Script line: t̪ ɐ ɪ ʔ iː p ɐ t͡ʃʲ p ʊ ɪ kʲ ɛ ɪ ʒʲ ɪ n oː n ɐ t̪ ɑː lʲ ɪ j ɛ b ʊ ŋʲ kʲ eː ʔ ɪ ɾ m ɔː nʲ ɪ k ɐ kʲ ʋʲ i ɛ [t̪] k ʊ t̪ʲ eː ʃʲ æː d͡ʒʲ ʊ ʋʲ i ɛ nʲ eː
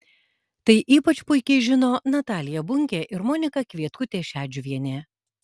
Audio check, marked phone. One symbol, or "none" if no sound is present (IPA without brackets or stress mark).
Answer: t̪